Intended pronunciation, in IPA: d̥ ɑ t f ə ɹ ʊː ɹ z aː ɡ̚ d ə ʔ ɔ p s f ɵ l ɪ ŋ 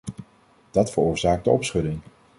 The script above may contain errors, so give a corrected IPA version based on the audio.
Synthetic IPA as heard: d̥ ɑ t f ə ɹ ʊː ɹ z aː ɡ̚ d ə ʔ ɔ p s χ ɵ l ɪ ŋ